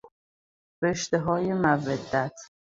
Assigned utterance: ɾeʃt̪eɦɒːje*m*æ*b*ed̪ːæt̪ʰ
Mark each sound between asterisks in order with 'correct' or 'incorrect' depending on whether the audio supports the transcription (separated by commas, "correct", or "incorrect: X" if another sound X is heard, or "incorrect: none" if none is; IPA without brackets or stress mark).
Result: correct, incorrect: v